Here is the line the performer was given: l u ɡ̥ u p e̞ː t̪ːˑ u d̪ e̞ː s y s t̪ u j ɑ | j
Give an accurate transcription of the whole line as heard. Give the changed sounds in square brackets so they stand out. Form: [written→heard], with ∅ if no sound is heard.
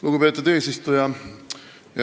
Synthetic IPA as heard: l u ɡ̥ u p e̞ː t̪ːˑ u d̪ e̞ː s [y→i] s t̪ u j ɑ | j